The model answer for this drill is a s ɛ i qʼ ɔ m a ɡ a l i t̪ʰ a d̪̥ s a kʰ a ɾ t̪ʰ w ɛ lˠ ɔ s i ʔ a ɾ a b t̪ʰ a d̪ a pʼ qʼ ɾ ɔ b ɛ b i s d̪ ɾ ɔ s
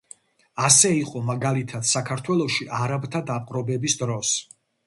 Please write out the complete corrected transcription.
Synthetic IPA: a s ɛ i qʼ ɔ m a ɡ a l i t̪ʰ a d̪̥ s a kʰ a ɾ t̪ʰ w ɛ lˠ ɔ ʃ i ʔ a ɾ a b t̪ʰ a d̪ a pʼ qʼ ɾ ɔ b ɛ b i s d̪ ɾ ɔ s